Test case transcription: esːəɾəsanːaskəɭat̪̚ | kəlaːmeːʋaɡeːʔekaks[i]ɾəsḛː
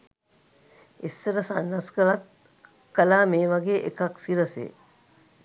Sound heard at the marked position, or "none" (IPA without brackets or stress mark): i